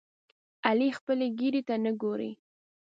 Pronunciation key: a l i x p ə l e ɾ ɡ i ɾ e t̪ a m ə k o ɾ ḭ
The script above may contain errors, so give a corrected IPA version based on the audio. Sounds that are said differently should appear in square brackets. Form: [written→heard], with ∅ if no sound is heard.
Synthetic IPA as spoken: a l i x p ə l e [ɾ→∅] ɡ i ɾ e t̪ a [m→n] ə [k→ɡ] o ɾ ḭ